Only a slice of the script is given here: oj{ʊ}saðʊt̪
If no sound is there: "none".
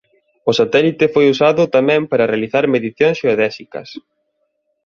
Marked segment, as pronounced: u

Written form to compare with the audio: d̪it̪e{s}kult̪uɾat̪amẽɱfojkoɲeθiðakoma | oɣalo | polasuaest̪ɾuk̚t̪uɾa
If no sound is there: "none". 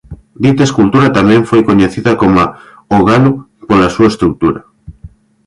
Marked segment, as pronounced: s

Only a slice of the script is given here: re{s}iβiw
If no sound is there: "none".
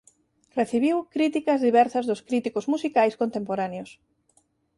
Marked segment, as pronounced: θ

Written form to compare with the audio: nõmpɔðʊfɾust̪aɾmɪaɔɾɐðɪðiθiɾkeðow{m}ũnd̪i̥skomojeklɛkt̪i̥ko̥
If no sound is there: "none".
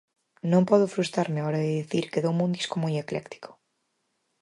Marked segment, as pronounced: m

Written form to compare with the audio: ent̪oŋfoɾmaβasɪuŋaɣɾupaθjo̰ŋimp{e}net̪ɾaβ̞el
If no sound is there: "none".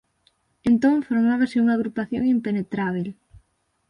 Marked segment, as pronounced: e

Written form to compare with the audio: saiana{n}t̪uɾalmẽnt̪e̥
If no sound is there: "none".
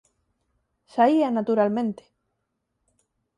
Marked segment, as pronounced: none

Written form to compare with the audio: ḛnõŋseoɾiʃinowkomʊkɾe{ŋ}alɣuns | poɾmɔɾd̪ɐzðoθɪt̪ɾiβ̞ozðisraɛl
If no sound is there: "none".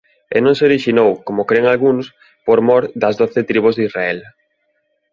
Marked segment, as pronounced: ŋ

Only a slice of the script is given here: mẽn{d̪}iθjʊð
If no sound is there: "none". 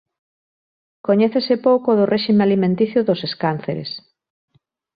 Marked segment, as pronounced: t̪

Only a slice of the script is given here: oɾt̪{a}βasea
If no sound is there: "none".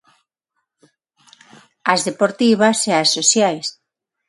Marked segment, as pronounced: i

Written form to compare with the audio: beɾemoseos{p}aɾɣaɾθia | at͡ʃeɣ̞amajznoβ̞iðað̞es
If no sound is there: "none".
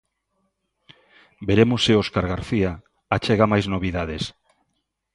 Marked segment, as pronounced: k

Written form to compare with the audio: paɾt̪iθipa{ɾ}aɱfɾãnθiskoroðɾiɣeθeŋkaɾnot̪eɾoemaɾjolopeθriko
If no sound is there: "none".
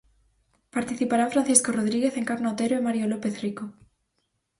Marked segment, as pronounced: ɾ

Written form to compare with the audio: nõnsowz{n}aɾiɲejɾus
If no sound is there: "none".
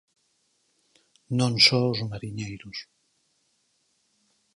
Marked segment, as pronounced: m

